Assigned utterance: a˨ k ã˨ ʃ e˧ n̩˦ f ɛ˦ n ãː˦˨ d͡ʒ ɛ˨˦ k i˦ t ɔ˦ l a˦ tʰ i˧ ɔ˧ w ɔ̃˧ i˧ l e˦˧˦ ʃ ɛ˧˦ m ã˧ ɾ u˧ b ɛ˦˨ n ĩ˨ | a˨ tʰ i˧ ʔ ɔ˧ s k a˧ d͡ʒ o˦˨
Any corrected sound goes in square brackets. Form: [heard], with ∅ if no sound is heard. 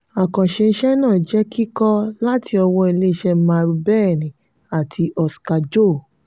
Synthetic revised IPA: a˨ k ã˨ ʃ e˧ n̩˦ [ʃ] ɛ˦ n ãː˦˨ d͡ʒ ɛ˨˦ k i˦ [k] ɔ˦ l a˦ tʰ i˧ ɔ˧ w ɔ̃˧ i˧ l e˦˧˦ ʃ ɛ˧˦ m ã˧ ɾ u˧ b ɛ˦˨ n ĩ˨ | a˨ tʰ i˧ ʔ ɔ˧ s k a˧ d͡ʒ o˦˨